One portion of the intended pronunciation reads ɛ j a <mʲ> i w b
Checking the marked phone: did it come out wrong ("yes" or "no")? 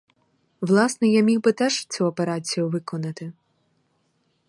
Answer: no